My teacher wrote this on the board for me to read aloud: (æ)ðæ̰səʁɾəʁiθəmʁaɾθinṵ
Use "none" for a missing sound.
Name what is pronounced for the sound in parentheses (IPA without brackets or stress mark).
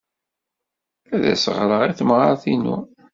æ